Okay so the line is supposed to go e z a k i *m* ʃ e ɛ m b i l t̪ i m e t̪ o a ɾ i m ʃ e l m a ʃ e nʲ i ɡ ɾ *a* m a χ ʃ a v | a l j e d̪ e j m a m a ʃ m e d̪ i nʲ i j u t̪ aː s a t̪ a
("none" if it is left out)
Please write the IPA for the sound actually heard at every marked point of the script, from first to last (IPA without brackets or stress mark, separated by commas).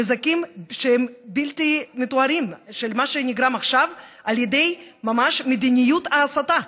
m, a